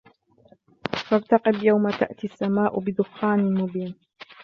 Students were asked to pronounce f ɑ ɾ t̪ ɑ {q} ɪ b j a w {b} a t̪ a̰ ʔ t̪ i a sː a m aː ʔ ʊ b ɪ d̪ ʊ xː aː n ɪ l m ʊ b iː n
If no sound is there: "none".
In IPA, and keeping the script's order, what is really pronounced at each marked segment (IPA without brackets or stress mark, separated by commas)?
q, m